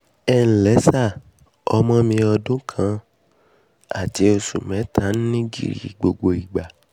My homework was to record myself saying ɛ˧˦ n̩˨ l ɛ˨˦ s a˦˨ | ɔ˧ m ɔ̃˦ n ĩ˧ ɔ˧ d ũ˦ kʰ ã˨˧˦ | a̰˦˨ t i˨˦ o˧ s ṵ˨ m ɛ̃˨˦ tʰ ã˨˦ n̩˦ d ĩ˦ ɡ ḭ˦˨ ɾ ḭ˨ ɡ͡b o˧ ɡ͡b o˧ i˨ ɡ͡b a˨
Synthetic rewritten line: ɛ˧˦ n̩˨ l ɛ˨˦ s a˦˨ | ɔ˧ m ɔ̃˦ m ĩ˧ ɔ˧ d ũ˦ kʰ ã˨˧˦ | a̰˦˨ t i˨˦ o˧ s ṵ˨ m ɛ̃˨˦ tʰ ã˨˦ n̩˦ n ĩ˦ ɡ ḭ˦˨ ɾ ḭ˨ ɡ͡b o˧ ɡ͡b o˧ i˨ ɡ͡b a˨